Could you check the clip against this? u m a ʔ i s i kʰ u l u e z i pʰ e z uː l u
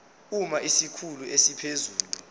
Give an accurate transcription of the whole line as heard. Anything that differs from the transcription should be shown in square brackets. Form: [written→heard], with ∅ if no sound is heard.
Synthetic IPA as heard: u m a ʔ i s i kʰ u l u e [z→s] i pʰ e z uː l u